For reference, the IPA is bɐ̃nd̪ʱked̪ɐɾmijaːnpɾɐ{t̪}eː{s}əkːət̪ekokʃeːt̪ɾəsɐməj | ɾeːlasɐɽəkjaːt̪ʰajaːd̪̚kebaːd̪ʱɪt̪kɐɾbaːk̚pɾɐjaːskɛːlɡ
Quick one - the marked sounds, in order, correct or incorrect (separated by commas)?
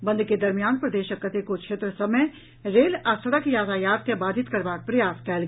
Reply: incorrect, incorrect